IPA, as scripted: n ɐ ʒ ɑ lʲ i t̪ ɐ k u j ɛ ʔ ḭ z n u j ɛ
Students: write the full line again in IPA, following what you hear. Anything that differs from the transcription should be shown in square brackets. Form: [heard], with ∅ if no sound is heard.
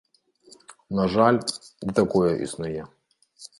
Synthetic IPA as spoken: n ɐ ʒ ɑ lʲ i t̪ ɐ k [ɔ] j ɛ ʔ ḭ [s] n [ʊ] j ɛ